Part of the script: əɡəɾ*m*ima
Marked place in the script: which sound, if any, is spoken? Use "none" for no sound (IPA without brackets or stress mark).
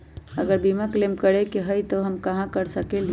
b